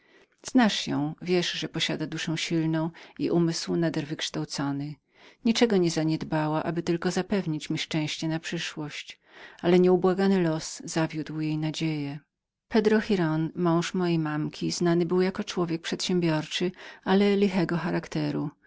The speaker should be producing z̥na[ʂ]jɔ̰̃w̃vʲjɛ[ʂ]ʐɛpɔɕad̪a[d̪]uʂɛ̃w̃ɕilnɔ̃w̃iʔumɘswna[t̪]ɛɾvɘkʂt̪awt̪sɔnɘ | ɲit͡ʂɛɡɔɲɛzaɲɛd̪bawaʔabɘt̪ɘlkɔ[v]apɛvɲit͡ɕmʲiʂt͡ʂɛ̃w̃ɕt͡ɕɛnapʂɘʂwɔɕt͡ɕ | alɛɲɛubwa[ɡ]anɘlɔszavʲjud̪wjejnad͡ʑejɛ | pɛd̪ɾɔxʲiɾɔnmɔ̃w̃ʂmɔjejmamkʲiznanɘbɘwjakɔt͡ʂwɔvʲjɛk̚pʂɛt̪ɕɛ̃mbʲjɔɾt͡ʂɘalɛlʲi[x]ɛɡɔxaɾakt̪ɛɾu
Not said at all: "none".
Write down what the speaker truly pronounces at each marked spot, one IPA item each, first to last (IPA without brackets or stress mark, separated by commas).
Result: ʂ, ʂ, d̪, d̪, z, ɡ, x